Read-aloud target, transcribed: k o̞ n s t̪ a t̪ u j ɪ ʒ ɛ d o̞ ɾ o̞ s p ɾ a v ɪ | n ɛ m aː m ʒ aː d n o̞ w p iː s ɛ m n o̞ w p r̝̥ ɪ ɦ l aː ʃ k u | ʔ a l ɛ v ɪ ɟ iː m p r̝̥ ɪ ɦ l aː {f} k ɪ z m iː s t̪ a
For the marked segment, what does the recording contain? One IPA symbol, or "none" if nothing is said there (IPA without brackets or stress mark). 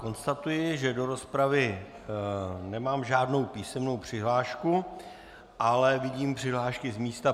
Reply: ʃ